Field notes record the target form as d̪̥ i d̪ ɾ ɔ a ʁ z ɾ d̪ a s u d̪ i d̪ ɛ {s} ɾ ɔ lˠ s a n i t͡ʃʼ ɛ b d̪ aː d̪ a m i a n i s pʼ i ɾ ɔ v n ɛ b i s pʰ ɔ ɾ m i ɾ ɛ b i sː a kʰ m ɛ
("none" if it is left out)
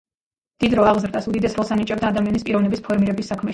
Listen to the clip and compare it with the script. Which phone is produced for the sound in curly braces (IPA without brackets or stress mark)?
s